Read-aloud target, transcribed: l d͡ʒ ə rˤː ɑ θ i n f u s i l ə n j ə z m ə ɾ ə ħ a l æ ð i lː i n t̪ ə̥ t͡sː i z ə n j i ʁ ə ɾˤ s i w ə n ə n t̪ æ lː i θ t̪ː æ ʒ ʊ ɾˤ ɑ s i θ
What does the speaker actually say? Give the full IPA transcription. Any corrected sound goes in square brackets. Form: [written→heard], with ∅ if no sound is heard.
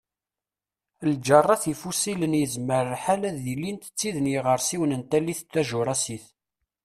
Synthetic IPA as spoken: l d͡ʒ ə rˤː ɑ θ i [n→∅] f u s i l ə n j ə z m ə ɾ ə ħ a l æ ð i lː i n t̪ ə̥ t͡sː i [z→ð] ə n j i ʁ ə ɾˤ s i w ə n ə n t̪ æ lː i θ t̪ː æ ʒ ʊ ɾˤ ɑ s i θ